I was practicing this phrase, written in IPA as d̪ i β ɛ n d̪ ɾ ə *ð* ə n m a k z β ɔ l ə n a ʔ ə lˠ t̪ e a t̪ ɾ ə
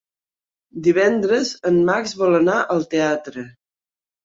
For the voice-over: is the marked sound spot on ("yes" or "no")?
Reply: no